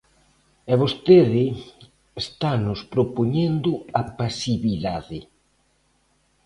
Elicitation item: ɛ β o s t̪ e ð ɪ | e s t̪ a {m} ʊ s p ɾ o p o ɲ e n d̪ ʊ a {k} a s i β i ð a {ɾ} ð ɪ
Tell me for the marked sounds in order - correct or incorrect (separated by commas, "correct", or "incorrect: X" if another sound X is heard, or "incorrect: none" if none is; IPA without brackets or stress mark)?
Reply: incorrect: n, incorrect: p, incorrect: none